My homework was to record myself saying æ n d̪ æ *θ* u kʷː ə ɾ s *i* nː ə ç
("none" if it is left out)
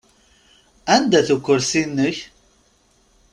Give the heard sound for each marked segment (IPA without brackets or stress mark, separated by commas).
θ, i